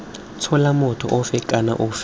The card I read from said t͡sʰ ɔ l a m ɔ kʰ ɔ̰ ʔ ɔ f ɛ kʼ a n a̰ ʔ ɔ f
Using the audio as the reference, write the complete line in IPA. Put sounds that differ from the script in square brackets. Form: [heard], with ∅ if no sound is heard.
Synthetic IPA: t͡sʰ ɔ l a m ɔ [tʰ] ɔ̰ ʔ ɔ f ɛ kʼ a n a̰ ʔ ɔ f